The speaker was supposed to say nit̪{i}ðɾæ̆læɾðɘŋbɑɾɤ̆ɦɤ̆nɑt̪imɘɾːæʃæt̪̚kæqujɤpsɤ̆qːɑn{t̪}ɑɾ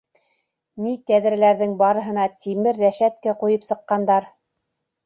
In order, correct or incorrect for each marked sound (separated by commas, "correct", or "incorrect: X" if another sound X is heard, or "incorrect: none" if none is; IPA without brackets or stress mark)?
incorrect: æ, incorrect: d̪